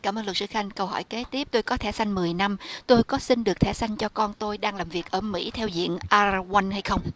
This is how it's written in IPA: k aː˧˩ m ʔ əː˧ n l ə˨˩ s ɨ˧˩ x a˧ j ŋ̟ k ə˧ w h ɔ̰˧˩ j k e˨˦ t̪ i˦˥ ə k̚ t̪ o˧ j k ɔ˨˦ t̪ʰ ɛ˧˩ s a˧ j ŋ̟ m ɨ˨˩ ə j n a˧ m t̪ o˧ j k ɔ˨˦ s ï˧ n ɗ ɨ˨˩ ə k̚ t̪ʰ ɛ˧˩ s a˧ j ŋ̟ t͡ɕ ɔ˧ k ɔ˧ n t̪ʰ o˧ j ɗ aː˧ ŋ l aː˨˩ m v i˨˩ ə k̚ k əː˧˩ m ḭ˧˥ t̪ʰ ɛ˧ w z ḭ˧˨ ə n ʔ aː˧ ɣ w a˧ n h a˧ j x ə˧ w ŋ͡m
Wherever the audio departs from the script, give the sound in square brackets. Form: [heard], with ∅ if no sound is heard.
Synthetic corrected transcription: k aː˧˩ m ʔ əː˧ n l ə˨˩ s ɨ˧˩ x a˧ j ŋ̟ k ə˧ w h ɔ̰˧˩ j k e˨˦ t̪ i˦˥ ə [p̚] t̪ o˧ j k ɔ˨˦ t̪ʰ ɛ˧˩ s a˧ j ŋ̟ m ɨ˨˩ ə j n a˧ m t̪ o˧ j k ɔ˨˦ s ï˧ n ɗ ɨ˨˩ ə k̚ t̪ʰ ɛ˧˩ s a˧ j ŋ̟ t͡ɕ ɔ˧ k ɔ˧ n [t̪] o˧ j ɗ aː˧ ŋ l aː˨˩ m v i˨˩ ə k̚ [ʔ] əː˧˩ m ḭ˧˥ t̪ʰ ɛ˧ w z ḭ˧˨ ə n ʔ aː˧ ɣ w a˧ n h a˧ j x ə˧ w ŋ͡m